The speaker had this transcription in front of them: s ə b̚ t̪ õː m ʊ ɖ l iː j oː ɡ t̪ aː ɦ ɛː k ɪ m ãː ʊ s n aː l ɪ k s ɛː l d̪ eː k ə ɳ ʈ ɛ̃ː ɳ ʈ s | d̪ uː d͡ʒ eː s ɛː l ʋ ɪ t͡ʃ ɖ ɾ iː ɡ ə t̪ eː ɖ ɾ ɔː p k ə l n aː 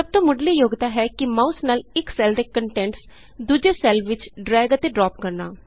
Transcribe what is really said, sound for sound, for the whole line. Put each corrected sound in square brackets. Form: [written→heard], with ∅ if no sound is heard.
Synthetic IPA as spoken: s ə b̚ t̪ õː m ʊ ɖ l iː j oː ɡ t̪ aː ɦ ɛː k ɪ m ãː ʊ s n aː l ɪ k s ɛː l d̪ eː k ə ɳ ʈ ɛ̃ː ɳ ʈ s | d̪ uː d͡ʒ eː s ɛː l ʋ ɪ t͡ʃ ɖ ɾ [iː→ɛː] ɡ ə t̪ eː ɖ ɾ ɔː p k ə [l→ɾ] n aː